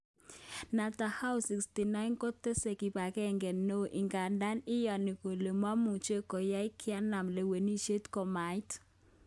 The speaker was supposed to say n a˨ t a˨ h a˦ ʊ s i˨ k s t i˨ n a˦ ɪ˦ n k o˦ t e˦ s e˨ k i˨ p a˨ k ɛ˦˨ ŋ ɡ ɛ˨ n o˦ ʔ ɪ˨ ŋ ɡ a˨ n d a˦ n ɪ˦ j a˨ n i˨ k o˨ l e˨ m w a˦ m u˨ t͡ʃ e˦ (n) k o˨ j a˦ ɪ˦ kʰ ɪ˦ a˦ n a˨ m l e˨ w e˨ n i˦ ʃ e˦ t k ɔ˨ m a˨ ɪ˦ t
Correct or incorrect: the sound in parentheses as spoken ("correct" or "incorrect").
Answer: incorrect